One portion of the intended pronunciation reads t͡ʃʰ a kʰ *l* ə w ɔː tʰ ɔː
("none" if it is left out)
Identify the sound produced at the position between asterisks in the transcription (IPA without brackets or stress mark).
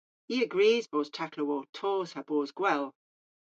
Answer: l